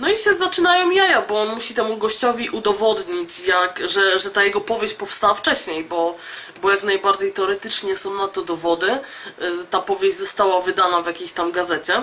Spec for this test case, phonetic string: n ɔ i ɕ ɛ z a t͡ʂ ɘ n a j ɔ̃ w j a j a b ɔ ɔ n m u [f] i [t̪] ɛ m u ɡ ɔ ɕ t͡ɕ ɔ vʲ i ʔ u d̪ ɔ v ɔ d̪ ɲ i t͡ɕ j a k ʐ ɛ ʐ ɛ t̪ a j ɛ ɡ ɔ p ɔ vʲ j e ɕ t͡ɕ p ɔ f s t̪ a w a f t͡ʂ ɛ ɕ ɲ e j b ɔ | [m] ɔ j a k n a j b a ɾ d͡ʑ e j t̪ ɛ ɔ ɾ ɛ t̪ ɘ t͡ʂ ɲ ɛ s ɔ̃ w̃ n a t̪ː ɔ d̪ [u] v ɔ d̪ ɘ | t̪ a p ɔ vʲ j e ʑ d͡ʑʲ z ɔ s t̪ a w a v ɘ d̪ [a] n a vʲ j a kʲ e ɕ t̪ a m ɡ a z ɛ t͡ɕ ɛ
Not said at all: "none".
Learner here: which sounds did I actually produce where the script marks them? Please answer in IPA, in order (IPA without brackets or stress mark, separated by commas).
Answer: ɕ, t̪, b, ɔ, a